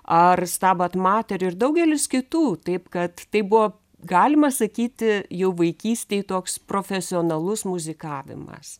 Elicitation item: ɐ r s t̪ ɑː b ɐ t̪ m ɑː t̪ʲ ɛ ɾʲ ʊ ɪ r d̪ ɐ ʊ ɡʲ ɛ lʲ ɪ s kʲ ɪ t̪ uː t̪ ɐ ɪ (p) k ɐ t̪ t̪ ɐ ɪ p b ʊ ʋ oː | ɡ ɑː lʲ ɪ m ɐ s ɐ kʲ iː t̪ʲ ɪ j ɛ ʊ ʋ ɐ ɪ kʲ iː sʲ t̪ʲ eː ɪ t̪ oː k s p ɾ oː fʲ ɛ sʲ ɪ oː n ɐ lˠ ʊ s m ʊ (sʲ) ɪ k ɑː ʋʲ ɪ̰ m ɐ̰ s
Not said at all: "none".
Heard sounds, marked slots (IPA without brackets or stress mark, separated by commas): p, zʲ